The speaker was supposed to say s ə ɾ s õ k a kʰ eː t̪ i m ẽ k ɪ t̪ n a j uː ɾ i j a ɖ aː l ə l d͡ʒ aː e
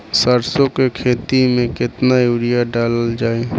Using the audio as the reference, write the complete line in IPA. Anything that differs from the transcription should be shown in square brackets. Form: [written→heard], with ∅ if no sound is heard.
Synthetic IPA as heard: s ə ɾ s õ k [a→e] kʰ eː t̪ i m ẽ k ɪ t̪ n a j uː ɾ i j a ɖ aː l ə l d͡ʒ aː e

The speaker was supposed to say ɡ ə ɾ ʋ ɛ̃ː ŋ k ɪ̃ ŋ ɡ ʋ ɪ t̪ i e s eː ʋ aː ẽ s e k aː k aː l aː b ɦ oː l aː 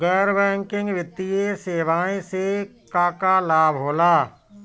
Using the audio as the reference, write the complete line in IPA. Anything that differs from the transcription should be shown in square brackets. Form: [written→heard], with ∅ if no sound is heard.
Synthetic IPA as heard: ɡ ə ɾ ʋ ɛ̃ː ŋ k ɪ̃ ŋ ɡ ʋ ɪ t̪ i e s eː ʋ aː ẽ s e k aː k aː l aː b ɦ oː l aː

